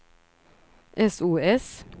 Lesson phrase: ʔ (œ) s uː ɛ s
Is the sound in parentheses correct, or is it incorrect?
incorrect